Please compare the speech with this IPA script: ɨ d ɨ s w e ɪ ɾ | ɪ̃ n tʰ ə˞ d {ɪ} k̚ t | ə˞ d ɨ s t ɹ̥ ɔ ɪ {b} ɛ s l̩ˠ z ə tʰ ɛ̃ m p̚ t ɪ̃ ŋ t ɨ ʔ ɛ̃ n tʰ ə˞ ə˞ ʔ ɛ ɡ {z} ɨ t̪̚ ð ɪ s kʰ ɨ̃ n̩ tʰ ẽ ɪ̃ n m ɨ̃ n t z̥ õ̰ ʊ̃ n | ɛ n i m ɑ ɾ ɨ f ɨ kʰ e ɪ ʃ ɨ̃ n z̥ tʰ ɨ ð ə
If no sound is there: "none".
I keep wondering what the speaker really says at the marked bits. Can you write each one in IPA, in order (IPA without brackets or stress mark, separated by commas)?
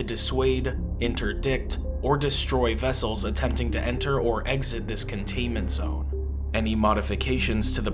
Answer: ɪ, v, z